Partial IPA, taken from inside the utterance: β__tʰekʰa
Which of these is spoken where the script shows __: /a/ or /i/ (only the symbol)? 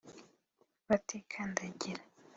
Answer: a